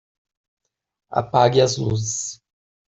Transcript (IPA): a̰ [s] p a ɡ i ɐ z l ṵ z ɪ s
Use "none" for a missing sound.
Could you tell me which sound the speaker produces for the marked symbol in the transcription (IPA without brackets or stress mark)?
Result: none